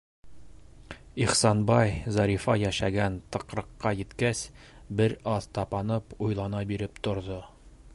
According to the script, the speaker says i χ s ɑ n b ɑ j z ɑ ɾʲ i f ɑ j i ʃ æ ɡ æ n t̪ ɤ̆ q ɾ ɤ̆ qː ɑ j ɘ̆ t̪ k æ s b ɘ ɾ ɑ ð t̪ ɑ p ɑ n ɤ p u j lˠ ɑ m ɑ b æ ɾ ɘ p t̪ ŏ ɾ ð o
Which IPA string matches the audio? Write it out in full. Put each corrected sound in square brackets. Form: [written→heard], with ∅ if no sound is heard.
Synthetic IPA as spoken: i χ s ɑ n b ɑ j z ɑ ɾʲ i f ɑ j [i→æ] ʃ æ ɡ æ n t̪ ɤ̆ q ɾ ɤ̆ qː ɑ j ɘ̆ t̪ k æ s b ɘ ɾ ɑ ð t̪ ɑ p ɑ n ɤ p u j lˠ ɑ [m→n] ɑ b [æ→i] ɾ ɘ p t̪ ŏ ɾ ð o